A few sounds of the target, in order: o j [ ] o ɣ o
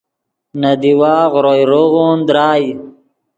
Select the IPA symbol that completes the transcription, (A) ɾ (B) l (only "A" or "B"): A